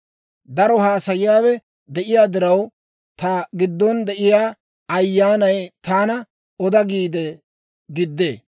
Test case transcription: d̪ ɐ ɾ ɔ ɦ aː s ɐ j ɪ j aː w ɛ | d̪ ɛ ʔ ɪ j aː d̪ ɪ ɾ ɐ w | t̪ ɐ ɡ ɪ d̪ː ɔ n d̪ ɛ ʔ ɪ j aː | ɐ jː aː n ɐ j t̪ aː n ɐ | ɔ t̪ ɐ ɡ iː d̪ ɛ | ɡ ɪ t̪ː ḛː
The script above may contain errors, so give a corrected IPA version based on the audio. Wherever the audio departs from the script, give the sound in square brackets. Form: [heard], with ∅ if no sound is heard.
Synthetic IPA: d̪ ɐ ɾ ɔ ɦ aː s ɐ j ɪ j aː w ɛ | d̪ ɛ ʔ ɪ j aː d̪ ɪ ɾ ɐ w | t̪ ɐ ɡ ɪ d̪ː ɔ n d̪ ɛ ʔ ɪ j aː | ɐ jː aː n ɐ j t̪ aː n ɐ | ɔ [d̪] ɐ ɡ iː d̪ ɛ | ɡ ɪ [d̪ː] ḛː